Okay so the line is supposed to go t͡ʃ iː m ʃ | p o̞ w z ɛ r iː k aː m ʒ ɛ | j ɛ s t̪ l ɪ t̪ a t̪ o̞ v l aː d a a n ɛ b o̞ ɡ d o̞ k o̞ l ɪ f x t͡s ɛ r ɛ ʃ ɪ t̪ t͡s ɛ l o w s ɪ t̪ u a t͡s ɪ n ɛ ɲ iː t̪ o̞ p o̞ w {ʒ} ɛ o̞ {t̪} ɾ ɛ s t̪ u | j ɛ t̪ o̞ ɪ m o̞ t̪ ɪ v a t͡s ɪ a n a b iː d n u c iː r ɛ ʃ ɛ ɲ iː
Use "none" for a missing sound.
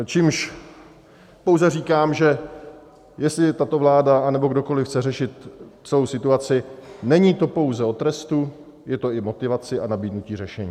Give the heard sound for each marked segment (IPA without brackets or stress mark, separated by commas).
z, t̪